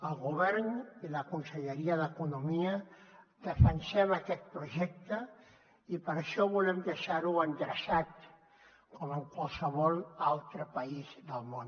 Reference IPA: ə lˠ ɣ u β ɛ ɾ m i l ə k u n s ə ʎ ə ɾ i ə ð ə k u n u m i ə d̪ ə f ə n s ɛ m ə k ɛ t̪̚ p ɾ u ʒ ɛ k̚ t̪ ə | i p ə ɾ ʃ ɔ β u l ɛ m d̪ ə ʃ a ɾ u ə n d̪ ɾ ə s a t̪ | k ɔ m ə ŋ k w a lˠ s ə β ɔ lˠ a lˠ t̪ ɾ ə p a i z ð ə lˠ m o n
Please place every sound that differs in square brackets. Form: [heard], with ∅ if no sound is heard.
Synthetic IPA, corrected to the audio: ə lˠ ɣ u β ɛ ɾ [n] i l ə k u n s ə ʎ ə ɾ i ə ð ə k u n u m i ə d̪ ə f ə n s ɛ m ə k ɛ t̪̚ p ɾ u ʒ ɛ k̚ t̪ ə | i p ə ɾ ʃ ɔ β u l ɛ m d̪ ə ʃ a ɾ u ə n d̪ ɾ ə s a t̪ | k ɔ m ə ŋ k w a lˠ s ə β ɔ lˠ a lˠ t̪ ɾ ə p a i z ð ə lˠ m o n